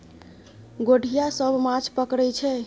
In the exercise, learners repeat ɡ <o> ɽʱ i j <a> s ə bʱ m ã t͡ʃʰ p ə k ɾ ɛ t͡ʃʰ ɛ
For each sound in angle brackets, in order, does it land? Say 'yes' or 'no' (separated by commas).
yes, yes